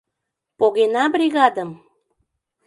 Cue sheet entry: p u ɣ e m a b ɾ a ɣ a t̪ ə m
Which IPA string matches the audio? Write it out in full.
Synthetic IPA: p o ɣ e n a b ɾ i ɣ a d̪ ə m